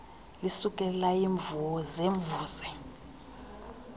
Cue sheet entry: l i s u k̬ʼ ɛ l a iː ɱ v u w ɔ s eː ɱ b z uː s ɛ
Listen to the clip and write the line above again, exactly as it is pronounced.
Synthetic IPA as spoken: l i s u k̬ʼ ɛ l a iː ɱ v u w ɔ z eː ɱ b v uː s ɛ